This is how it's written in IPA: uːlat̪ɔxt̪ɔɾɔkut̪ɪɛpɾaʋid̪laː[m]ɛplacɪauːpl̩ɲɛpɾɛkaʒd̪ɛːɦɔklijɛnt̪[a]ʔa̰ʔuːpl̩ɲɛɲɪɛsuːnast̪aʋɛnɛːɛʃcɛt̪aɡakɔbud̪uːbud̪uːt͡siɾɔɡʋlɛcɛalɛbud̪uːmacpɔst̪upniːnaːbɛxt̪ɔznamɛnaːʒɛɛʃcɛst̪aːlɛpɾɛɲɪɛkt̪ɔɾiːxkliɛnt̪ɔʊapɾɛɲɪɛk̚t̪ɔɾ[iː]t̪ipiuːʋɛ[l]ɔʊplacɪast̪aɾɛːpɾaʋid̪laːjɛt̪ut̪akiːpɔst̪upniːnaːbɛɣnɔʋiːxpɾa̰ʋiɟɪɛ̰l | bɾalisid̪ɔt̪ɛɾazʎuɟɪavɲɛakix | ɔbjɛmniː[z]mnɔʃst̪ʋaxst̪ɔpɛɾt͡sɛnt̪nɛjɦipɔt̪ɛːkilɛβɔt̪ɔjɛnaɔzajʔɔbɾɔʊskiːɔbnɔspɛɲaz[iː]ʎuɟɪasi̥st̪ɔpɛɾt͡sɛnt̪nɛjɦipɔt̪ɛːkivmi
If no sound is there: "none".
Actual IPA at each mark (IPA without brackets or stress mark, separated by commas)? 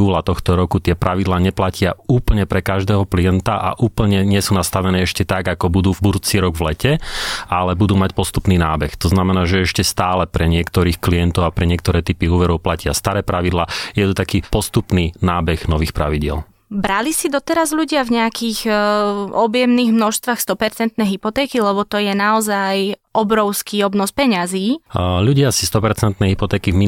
ɲ, a, ɛː, ɾ, ɣ, iː